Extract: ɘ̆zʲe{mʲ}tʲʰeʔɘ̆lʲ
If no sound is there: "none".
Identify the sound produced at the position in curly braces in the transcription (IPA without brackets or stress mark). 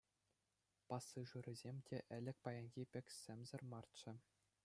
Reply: mʲ